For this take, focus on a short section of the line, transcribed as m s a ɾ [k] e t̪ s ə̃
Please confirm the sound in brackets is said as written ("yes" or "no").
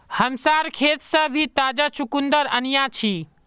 no